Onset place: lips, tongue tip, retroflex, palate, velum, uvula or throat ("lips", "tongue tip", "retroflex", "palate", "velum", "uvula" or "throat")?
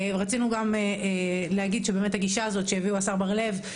uvula